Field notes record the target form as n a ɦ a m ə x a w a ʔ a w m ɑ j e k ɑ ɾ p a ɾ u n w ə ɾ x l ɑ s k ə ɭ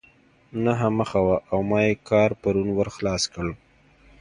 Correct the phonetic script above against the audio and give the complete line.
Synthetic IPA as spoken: n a ɦ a m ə x a w a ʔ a w m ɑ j e k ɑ ɾ p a ɾ u n w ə ɾ x l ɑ s k ə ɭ